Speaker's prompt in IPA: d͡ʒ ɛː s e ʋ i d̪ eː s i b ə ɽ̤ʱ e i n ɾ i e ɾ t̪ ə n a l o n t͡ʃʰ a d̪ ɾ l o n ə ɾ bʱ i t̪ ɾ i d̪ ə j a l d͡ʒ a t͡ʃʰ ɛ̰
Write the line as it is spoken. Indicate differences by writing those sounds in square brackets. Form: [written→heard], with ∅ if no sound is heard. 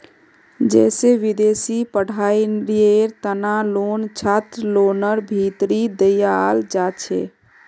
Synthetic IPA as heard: d͡ʒ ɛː s e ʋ i d̪ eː s i [b→p] ə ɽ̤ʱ [e→a] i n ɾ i e ɾ t̪ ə n a l o n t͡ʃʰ a [d̪→t̪] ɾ l o n ə ɾ bʱ i t̪ ɾ i d̪ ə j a l d͡ʒ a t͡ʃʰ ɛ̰